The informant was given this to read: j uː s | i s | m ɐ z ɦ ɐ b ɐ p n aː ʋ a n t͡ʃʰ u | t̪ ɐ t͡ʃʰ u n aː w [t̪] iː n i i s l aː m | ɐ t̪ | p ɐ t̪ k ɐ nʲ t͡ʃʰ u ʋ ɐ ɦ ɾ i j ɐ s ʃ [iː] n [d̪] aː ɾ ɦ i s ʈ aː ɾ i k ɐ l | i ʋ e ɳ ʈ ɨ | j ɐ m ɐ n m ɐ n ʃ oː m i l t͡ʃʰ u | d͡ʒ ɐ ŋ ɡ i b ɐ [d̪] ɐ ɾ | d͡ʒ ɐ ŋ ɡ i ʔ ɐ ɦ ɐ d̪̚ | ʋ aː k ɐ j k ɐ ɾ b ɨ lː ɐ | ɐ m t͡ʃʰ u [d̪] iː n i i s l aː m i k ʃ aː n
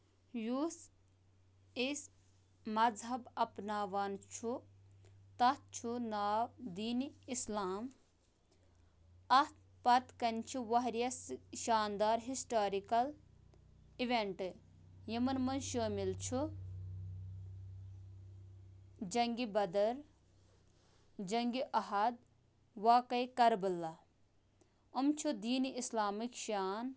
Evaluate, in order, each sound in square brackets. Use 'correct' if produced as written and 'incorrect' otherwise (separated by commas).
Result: incorrect, incorrect, correct, correct, correct